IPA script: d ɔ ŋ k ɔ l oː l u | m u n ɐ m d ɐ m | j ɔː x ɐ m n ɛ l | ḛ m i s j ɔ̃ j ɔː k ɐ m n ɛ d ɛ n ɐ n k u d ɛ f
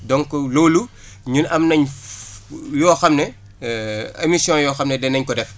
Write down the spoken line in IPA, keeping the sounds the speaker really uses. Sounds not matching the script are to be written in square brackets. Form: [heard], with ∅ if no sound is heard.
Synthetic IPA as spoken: d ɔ ŋ k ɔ l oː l u | [ɲ] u n ɐ m [n] ɐ [ɲ] | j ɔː x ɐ m n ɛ [∅] | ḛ m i s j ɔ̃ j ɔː [x] ɐ m n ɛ d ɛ n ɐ [ɲ] k [ɔ] d ɛ f